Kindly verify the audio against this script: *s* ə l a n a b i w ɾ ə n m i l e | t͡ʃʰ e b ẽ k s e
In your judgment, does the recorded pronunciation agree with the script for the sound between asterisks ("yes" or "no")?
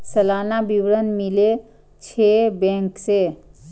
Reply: yes